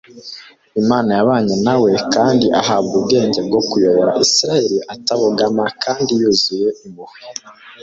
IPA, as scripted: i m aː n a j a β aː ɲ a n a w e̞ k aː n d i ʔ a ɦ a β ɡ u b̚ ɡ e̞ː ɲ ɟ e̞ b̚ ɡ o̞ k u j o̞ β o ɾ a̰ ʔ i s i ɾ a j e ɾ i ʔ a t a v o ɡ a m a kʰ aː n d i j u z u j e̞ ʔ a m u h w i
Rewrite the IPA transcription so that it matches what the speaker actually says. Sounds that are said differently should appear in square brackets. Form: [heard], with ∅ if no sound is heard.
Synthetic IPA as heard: i m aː n a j a β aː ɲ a n a w e̞ k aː n d i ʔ a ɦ a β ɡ u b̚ ɡ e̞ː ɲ ɟ e̞ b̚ ɡ o̞ k u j o̞ β o ɾ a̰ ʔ i s i ɾ a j e ɾ i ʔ a t a [β] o ɡ a m a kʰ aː n d i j u z u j e̞ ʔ [i] m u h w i